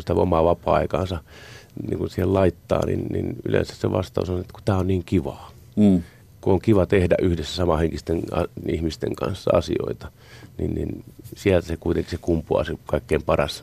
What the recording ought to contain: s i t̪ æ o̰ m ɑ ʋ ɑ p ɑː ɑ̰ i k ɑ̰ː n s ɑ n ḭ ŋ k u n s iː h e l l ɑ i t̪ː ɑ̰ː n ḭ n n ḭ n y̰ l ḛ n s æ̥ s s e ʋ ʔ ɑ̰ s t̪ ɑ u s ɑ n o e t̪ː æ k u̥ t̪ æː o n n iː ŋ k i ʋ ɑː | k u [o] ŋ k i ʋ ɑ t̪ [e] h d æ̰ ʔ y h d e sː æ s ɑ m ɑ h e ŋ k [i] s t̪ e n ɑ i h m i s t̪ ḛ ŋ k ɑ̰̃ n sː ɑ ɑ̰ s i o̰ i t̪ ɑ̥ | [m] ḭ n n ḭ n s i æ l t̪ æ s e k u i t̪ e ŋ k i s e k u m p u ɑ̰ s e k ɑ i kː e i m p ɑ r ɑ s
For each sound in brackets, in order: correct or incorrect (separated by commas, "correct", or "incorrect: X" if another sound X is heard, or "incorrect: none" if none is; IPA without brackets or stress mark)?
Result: correct, correct, correct, incorrect: n